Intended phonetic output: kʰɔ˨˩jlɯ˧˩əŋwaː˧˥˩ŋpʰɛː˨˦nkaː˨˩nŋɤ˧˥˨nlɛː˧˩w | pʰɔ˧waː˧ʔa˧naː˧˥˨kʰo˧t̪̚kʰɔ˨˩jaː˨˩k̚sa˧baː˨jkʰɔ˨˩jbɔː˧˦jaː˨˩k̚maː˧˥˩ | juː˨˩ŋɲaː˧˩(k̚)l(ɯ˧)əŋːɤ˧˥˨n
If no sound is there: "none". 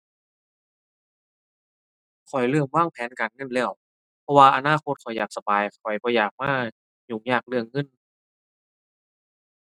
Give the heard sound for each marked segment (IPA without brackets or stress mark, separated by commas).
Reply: k̚, ɯ˧